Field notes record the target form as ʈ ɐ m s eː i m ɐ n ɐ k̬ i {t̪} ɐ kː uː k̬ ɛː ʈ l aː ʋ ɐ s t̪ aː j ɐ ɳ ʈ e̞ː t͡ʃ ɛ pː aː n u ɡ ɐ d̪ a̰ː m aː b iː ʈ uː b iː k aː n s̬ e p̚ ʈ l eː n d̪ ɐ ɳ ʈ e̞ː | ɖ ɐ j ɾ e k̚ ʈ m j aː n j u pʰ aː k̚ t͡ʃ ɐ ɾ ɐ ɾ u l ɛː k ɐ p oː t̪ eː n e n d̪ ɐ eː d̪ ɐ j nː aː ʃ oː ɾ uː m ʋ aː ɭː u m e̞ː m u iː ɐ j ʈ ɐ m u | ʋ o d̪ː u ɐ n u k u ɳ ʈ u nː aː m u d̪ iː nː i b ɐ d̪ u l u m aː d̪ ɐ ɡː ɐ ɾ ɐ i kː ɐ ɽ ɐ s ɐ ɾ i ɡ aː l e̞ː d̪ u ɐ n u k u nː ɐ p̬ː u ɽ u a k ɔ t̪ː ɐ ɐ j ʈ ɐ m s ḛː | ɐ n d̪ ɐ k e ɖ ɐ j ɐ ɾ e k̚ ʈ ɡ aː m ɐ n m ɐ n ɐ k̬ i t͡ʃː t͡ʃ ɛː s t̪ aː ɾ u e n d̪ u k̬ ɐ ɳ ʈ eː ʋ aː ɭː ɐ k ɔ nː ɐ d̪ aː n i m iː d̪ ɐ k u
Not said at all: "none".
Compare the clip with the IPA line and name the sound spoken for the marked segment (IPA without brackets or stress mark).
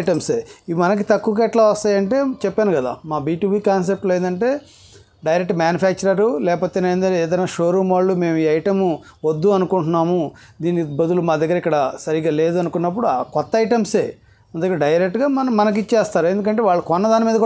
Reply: t̪